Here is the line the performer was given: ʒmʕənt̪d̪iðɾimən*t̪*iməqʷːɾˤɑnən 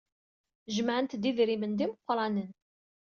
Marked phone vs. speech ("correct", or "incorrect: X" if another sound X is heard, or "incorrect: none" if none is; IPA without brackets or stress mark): incorrect: d̪